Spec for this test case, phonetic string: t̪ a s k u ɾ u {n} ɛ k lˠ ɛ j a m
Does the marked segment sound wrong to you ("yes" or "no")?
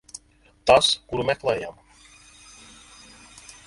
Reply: yes